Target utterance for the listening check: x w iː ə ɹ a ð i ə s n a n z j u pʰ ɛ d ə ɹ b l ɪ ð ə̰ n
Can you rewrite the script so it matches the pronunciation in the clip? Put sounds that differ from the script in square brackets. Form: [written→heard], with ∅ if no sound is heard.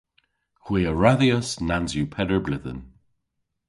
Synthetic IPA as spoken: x w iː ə ɹ a ð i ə s n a n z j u pʰ ɛ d ə ɹ b l ɪ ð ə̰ n